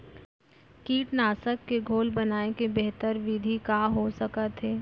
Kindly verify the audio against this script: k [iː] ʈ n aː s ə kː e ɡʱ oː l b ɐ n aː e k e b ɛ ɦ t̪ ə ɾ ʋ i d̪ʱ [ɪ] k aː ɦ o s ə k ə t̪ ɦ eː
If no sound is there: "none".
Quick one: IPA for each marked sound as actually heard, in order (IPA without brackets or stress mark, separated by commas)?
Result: iː, i